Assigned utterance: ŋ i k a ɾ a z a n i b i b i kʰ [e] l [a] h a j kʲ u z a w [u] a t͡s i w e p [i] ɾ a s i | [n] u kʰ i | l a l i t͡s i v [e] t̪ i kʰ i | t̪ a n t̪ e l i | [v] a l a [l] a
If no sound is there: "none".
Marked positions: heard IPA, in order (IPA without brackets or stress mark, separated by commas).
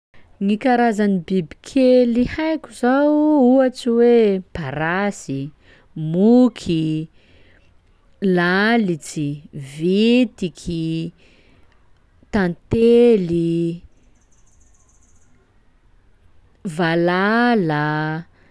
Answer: e, i, u, a, m, i, v, l